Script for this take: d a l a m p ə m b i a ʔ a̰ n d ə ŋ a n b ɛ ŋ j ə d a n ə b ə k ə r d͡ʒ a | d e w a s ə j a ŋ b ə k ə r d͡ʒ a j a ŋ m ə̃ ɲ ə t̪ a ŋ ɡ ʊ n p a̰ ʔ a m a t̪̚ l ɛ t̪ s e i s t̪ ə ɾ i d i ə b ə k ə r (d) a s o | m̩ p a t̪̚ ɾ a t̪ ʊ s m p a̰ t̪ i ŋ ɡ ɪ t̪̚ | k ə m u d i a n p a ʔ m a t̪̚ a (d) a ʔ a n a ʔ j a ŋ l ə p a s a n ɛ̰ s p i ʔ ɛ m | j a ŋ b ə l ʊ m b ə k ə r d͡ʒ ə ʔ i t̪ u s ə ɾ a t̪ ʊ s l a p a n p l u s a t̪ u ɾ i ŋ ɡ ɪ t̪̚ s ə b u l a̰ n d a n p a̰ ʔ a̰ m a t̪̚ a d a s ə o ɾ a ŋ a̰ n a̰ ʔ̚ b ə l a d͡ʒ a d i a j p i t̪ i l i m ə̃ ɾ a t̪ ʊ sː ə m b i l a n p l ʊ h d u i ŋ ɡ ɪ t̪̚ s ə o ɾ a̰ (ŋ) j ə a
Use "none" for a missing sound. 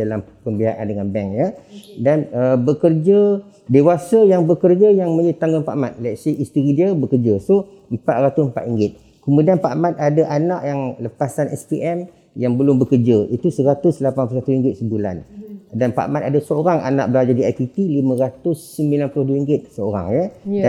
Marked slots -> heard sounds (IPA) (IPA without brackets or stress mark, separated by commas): d͡ʒ, d, ŋ